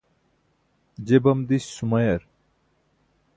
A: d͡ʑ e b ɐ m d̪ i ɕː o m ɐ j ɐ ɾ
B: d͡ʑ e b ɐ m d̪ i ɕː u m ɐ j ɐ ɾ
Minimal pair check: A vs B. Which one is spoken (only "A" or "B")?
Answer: B